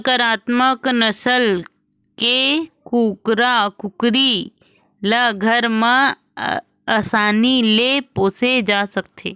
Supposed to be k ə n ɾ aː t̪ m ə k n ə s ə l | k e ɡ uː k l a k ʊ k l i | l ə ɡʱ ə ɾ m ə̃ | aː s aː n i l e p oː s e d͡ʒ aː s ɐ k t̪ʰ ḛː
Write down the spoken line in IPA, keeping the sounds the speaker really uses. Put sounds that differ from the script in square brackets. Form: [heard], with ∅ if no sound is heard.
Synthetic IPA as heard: k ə [∅] ɾ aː t̪ m ə k n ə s ə l | k e [k] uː k [ɾ] a k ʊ k [ɾ] i | l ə ɡʱ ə ɾ m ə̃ | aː s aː n i l e p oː s e d͡ʒ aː s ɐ k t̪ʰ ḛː